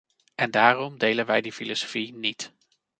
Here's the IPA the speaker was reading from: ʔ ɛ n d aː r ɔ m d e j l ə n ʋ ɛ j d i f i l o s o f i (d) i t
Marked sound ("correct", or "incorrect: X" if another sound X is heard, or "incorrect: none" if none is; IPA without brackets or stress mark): incorrect: n